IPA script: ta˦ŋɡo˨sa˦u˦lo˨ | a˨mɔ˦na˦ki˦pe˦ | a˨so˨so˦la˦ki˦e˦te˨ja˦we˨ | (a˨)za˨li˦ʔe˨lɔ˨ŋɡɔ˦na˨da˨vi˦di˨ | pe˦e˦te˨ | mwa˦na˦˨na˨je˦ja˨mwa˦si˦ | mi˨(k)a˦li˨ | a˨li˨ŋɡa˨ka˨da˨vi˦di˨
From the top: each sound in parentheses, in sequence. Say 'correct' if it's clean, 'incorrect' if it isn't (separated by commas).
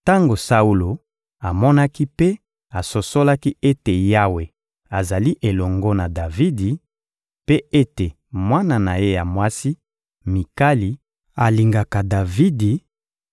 correct, correct